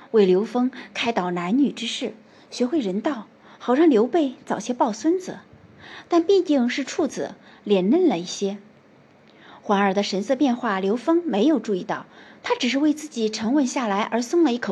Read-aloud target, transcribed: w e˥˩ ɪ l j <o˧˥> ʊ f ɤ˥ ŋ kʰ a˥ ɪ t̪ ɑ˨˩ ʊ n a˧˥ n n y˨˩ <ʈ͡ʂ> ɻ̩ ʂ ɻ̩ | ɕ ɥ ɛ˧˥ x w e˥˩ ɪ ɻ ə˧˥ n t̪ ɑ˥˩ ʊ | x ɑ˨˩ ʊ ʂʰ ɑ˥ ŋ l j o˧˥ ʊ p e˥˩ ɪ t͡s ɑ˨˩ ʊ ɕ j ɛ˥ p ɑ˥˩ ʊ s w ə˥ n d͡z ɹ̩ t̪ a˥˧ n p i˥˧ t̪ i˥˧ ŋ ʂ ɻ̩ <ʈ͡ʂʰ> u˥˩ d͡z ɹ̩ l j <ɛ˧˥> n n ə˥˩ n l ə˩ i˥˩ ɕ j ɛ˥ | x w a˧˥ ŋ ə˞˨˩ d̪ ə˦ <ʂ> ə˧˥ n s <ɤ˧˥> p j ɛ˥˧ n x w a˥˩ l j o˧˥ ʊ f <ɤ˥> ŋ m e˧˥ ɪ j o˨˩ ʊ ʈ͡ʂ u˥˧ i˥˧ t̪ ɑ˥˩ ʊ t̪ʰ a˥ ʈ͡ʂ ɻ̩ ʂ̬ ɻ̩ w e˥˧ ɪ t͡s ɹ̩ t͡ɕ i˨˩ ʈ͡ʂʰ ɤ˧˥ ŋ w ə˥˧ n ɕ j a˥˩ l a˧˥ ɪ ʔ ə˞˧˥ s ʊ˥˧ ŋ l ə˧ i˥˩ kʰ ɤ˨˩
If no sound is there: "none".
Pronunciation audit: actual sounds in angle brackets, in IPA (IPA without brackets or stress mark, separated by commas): o˧˥, ʈ͡ʂ, ʈ͡ʂʰ, ɛ˨˩, ʂ, ɤ˥˧, ɤ˥